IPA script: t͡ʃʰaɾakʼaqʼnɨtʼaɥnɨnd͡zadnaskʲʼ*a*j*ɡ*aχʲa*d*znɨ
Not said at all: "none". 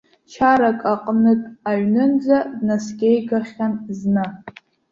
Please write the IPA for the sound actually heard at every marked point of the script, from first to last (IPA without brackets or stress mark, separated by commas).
e, ɡ, n